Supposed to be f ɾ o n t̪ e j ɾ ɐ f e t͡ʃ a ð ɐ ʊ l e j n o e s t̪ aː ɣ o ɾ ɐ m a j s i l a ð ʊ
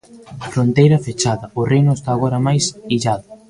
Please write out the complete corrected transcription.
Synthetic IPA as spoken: f ɾ o n t̪ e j ɾ ɐ f e t͡ʃ a ð ɐ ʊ r e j n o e s t̪ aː ɣ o ɾ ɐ m a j s i ʎ a ð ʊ